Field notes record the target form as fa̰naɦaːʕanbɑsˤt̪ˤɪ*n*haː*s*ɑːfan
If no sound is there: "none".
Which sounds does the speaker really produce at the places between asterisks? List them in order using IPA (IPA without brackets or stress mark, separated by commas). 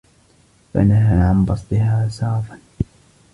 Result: none, s